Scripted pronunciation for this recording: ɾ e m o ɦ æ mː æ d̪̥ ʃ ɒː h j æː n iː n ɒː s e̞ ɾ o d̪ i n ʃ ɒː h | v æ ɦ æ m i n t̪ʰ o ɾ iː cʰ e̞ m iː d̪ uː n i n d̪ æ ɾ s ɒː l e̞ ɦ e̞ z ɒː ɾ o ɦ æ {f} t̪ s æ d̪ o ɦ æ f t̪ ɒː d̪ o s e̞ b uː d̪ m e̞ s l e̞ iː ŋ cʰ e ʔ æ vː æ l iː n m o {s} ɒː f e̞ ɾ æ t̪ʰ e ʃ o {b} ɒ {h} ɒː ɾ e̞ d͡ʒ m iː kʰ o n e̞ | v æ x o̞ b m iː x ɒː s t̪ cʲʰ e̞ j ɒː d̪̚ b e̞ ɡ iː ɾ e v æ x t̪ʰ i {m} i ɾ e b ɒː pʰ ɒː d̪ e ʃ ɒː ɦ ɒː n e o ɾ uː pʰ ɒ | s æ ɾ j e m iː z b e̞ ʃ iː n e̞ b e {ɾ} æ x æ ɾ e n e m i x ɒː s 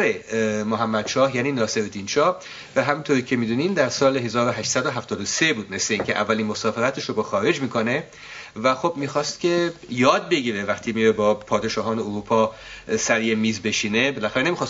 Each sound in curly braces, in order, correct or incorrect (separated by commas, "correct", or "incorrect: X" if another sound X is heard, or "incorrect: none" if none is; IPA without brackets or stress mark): incorrect: ʃ, correct, correct, incorrect: x, correct, incorrect: l